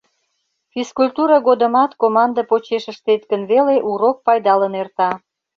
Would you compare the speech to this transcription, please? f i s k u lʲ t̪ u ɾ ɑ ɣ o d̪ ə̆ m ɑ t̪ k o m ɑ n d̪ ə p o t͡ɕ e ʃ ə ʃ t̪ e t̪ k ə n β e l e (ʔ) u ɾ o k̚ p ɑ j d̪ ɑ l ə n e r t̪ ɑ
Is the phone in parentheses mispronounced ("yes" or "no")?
no